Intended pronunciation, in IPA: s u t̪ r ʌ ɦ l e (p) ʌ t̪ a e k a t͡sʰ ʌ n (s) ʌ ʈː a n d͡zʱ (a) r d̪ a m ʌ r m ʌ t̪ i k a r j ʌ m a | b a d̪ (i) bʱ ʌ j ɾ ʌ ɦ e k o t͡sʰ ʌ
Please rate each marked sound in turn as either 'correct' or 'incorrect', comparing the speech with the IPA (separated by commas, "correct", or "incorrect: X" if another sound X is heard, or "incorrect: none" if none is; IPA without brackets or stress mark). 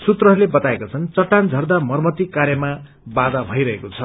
incorrect: b, incorrect: t͡s, incorrect: ʌ, incorrect: a